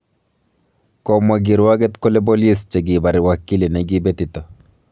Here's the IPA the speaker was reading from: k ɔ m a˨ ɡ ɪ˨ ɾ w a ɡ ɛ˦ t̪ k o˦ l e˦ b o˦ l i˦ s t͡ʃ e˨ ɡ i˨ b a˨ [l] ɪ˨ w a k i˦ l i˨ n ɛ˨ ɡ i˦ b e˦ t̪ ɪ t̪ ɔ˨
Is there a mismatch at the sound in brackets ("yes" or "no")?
yes